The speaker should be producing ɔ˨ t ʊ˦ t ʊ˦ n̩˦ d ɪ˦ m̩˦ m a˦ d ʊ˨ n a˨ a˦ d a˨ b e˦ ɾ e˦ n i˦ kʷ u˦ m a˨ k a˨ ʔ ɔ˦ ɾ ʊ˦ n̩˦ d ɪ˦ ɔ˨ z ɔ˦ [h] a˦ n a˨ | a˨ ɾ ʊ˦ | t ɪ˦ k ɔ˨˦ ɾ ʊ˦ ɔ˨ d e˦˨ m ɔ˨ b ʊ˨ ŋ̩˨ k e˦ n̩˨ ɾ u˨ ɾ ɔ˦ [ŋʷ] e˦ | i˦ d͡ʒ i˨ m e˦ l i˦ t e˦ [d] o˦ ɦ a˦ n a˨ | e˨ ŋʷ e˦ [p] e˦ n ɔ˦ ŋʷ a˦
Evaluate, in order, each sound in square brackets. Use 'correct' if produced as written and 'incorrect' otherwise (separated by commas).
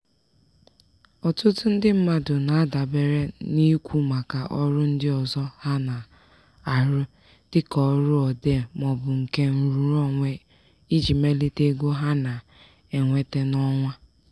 correct, correct, incorrect, incorrect